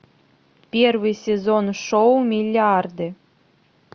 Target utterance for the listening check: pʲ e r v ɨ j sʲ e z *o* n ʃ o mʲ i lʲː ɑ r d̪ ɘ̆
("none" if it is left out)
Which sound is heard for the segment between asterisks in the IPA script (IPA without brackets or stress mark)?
o